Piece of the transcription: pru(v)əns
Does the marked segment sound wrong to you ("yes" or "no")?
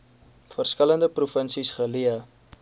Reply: yes